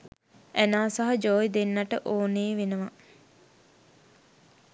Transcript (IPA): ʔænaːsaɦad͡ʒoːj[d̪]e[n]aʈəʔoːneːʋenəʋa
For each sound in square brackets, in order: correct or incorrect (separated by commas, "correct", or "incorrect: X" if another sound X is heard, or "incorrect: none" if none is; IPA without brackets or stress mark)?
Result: correct, incorrect: nː